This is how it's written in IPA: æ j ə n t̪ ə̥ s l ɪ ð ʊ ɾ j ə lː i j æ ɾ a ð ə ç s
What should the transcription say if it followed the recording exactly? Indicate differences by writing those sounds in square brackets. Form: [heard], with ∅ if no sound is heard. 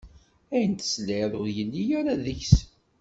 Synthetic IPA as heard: æ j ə n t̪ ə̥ s l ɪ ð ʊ ɾ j ə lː i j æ ɾ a ð ə ç s